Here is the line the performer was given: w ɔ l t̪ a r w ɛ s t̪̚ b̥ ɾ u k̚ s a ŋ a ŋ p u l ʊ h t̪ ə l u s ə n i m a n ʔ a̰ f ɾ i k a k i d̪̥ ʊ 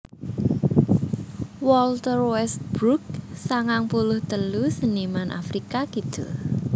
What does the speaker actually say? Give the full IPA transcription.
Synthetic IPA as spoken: w ɔ l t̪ ə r w ɛ s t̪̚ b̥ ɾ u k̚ s a ŋ a ŋ p u l ʊ h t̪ ə l u s ə n i m a n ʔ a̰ f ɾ i k a k i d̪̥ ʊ